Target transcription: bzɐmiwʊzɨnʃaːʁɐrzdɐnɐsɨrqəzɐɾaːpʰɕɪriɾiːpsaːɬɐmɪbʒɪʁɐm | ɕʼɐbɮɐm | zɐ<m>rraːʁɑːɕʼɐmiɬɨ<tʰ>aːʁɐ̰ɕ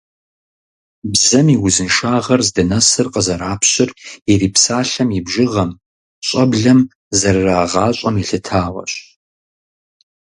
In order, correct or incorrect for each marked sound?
incorrect: none, correct

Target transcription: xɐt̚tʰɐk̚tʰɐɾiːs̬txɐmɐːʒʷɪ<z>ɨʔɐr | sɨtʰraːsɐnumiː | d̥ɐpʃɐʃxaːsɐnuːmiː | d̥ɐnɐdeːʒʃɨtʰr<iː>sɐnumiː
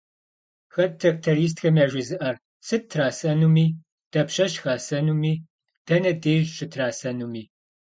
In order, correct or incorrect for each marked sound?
correct, incorrect: aː

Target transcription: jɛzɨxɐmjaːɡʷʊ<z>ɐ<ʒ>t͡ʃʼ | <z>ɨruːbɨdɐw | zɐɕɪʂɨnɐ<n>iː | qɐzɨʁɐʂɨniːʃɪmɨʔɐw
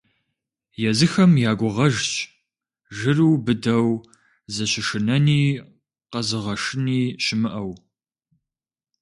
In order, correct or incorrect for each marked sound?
incorrect: ʁ, correct, incorrect: ʒ, correct

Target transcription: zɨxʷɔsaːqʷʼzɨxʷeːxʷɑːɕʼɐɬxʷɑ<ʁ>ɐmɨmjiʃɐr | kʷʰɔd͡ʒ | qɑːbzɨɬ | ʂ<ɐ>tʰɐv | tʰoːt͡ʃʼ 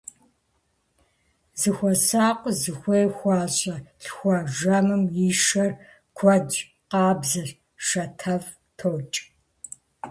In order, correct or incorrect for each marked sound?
incorrect: ʒ, correct

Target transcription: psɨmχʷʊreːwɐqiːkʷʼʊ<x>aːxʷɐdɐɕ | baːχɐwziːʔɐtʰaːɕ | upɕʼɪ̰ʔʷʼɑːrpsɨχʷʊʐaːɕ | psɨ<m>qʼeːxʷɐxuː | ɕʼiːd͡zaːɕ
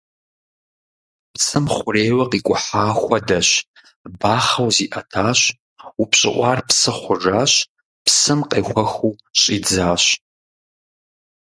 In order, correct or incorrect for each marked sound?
incorrect: ħ, correct

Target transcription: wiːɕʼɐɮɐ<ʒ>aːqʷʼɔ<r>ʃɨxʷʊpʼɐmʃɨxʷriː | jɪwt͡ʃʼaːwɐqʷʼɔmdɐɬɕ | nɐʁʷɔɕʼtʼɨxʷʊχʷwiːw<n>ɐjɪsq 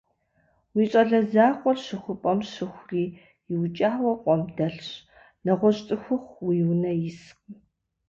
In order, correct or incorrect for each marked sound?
incorrect: z, correct, correct

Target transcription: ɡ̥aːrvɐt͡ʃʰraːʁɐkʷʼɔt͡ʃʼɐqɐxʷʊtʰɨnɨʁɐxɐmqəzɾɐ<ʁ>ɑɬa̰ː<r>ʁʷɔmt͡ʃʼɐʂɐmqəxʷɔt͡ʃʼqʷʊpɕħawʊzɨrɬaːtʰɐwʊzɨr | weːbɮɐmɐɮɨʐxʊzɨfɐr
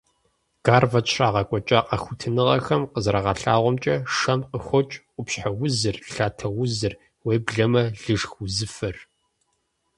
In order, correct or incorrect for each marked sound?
correct, incorrect: none

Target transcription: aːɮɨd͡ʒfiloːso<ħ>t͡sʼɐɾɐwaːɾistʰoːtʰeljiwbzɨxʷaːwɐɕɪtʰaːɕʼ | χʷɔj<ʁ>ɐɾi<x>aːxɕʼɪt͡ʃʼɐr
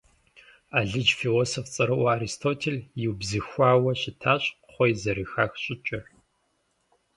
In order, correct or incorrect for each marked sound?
incorrect: f, incorrect: z, correct

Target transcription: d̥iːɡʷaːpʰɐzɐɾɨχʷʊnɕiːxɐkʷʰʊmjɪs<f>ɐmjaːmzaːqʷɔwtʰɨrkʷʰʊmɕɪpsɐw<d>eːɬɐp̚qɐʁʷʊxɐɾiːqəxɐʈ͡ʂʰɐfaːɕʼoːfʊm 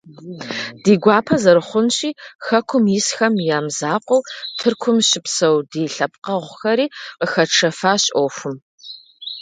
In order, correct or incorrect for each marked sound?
incorrect: x, correct

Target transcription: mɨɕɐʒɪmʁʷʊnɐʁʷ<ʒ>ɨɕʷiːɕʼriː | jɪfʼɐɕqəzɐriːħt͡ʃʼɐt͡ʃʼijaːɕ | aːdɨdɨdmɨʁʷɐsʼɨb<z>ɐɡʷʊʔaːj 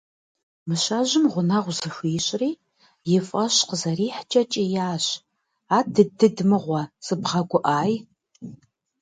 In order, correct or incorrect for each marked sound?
incorrect: z, incorrect: ʁ

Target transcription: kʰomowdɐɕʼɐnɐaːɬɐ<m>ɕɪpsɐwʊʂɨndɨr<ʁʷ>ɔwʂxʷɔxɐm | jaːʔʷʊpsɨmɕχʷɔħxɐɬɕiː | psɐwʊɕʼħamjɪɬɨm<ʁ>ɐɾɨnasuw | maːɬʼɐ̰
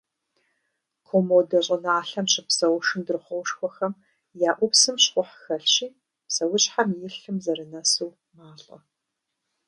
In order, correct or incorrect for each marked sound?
correct, incorrect: χʷ, incorrect: z

